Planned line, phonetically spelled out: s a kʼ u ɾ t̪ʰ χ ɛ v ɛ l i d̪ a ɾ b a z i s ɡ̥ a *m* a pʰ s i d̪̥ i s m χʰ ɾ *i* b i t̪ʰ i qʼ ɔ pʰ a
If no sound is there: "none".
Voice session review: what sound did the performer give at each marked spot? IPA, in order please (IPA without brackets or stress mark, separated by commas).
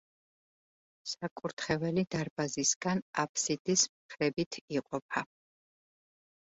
n, ɛ